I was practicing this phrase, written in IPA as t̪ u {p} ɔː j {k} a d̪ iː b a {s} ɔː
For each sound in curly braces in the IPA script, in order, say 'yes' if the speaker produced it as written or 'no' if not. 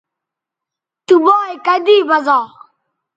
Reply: no, yes, no

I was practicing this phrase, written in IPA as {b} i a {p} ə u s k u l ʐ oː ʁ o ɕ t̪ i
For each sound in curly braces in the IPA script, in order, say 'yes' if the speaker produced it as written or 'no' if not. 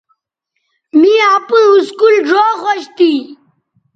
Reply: no, yes

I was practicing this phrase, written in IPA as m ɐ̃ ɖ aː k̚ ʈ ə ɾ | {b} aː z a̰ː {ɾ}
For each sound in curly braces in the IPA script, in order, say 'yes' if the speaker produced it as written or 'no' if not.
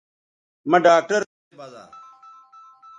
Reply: yes, no

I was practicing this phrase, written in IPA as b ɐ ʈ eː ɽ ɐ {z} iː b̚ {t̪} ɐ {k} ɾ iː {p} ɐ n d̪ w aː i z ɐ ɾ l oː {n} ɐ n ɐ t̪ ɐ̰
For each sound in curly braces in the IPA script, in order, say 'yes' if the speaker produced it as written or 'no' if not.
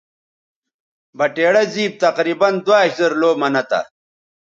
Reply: yes, yes, no, no, no

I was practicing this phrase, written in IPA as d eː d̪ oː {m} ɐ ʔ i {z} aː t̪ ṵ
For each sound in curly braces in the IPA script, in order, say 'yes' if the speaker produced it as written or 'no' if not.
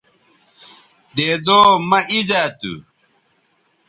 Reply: yes, yes

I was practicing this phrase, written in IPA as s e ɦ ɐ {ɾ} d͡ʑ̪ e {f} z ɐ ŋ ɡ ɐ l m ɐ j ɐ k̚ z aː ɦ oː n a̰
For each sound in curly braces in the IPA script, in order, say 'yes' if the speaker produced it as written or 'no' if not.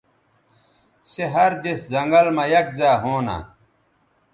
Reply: yes, no

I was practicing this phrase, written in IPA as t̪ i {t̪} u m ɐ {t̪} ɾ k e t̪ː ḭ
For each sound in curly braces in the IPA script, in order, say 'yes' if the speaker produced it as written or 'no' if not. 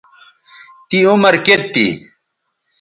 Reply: no, no

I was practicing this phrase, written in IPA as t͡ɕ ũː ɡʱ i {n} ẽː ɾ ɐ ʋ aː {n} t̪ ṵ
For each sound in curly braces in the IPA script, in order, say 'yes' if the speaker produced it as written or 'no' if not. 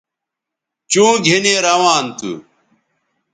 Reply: yes, yes

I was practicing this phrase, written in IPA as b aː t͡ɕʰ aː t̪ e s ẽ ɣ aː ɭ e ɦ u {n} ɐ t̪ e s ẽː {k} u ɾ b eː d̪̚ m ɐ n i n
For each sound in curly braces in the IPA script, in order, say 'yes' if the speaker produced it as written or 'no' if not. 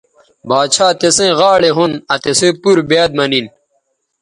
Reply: yes, no

